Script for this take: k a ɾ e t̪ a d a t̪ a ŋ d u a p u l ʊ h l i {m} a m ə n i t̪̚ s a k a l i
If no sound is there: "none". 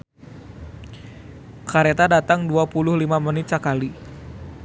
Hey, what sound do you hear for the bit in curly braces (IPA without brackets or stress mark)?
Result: m